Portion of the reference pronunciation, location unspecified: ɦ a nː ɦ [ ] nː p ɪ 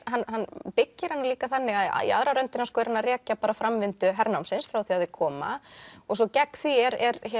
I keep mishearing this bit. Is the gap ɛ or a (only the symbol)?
a